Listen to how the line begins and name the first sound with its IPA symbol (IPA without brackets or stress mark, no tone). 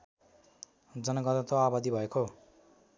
d͡z